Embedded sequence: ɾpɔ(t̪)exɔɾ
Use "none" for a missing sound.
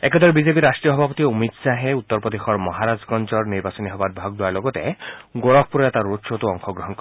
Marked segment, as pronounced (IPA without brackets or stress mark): d̪